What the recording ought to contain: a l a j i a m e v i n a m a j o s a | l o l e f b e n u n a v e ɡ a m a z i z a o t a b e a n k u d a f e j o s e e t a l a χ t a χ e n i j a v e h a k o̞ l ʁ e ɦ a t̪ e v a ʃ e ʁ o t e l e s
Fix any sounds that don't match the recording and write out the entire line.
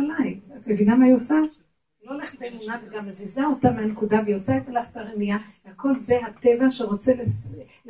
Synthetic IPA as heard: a l a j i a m e v i n a m a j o s a | l o l e χ b e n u n a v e ɡ a m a z i z a o t a m e a n k u d a v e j o s a e t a l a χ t a ʁ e n i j a v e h a k o̞ l z e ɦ a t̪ e v a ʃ e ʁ o t͡s e l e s